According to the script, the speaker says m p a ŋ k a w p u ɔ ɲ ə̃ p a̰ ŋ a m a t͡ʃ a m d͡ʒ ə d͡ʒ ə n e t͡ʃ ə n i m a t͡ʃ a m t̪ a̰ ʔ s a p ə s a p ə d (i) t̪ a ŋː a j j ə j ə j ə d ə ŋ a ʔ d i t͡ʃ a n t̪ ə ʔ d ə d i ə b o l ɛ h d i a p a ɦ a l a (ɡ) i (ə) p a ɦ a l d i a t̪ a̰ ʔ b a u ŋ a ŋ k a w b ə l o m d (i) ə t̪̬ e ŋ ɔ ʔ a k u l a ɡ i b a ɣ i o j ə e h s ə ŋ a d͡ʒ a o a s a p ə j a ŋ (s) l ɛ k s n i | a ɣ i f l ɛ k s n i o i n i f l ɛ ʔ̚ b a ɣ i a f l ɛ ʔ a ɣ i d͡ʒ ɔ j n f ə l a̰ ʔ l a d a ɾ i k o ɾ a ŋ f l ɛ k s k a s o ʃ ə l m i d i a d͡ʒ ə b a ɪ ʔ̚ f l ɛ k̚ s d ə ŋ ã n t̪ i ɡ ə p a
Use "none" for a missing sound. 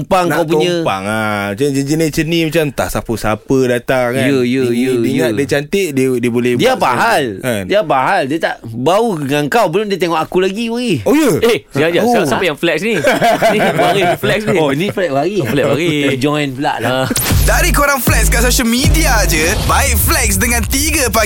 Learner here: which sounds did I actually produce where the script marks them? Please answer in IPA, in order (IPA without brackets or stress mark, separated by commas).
a, d, a, i, f